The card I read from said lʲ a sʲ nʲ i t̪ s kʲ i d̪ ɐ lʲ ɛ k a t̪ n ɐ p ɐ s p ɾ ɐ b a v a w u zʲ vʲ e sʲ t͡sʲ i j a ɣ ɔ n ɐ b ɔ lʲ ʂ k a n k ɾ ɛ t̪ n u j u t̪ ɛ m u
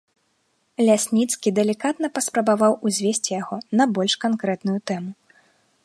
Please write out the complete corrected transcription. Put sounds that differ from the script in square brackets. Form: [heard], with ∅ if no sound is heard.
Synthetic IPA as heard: lʲ a sʲ nʲ i t̪ s kʲ i d̪ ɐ lʲ [i] k a t̪ n ɐ p ɐ s p ɾ ɐ b a v a w u zʲ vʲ e sʲ t͡sʲ i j a ɣ ɔ n ɐ b ɔ lʲ ʂ k a n k ɾ ɛ t̪ n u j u t̪ ɛ m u